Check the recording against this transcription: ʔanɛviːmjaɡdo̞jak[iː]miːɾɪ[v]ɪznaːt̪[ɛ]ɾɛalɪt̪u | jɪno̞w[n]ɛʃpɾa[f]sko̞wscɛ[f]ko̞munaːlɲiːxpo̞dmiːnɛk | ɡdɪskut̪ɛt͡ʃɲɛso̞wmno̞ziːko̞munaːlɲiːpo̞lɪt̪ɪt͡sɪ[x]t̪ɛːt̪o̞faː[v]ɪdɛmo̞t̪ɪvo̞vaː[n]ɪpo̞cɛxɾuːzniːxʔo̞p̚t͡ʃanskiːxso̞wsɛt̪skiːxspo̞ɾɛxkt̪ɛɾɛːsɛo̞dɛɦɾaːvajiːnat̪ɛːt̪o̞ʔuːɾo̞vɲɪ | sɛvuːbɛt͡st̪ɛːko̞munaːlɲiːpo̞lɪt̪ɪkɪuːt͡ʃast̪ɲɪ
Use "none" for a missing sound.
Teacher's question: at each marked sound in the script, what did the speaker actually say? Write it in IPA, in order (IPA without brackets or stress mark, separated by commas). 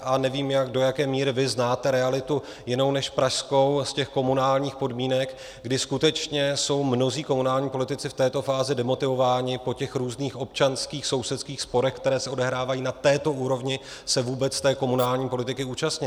ɛː, v, ɛ, n, ʃ, x, f, z, ɲ